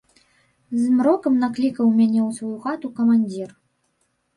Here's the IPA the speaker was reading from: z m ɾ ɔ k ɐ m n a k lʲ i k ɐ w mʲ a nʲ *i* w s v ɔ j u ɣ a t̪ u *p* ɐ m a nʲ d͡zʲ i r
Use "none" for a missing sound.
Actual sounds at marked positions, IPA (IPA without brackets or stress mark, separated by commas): ɛ, k